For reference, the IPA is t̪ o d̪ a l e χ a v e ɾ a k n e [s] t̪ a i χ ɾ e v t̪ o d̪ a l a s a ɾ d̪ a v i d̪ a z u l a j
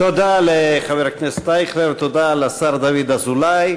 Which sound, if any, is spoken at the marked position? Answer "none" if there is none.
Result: s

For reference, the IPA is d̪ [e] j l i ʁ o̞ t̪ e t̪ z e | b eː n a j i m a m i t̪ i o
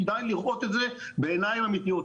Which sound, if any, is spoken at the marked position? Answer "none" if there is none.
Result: a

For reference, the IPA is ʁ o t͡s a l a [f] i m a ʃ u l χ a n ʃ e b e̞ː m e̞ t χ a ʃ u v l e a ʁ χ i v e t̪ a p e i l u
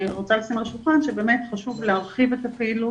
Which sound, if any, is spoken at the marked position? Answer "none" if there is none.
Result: s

